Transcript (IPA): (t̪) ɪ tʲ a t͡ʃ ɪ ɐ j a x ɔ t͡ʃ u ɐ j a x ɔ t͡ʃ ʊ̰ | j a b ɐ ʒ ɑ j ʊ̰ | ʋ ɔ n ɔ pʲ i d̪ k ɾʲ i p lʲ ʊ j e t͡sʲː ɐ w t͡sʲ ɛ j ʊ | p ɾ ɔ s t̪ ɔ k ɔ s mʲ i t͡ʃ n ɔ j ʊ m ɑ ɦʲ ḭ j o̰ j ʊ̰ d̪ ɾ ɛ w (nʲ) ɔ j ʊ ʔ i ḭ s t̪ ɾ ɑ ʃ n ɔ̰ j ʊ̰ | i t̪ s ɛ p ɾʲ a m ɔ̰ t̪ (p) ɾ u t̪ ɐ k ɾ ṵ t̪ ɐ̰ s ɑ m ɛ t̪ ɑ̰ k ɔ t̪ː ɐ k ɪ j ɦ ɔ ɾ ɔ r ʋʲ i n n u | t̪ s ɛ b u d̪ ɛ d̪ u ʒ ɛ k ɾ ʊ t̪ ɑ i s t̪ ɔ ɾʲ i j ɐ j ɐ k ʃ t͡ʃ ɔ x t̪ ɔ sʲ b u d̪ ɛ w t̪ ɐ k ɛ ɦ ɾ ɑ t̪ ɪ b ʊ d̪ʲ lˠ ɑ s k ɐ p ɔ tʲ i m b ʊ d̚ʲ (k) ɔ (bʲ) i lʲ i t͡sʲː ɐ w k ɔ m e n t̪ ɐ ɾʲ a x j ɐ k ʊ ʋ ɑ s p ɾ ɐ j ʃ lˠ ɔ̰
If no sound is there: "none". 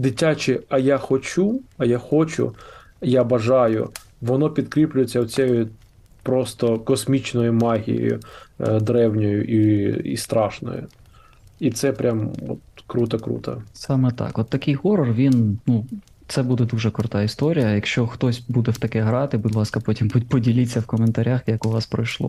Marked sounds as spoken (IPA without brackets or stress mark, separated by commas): d̪, nʲ, k, p, dʲ